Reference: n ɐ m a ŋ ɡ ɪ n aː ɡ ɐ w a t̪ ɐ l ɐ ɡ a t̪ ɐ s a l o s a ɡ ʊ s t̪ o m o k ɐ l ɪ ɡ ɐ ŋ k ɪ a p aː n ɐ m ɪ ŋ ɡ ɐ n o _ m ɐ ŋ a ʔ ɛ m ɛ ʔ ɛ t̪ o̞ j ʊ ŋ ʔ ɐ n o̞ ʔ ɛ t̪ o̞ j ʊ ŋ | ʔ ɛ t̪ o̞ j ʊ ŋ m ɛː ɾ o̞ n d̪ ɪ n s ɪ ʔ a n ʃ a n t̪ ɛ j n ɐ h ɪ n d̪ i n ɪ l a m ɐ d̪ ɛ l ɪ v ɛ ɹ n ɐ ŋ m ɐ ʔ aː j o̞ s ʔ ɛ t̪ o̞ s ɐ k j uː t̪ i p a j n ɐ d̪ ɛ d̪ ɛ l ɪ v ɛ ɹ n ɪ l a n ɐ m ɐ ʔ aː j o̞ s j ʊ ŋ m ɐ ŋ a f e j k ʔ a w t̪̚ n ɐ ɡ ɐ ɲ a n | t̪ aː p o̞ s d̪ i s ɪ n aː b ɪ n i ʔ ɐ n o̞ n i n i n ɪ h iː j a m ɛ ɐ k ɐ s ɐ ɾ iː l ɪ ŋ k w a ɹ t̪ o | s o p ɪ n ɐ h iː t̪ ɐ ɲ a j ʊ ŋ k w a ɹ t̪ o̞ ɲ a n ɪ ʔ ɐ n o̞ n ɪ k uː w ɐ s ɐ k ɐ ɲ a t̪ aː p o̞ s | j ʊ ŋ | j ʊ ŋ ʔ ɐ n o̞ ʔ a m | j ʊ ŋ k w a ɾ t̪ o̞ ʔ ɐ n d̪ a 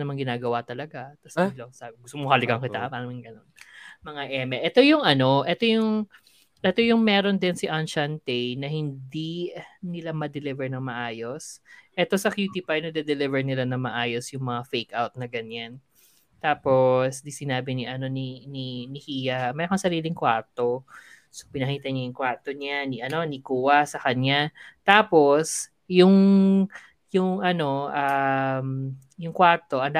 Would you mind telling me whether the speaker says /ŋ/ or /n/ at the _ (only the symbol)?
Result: n